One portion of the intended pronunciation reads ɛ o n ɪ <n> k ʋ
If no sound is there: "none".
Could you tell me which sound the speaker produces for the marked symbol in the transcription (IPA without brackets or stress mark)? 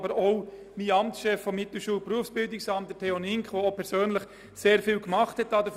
ŋ